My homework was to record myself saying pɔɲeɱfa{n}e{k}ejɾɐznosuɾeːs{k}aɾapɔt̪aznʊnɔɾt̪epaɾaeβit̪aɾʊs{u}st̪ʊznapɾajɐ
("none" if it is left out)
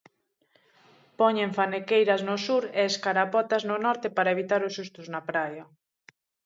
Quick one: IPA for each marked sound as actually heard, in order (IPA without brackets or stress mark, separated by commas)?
n, k, k, u